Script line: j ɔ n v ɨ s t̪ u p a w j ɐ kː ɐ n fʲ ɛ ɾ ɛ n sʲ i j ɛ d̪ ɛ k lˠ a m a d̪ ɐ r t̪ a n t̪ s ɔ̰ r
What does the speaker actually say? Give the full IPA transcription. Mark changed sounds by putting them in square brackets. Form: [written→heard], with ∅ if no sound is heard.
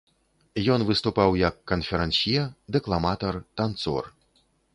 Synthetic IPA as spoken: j ɔ n v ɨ s t̪ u p a w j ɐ kː ɐ n fʲ ɛ ɾ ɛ n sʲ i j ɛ d̪ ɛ k lˠ a m a [d̪→t̪] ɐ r t̪ a n t̪ s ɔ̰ r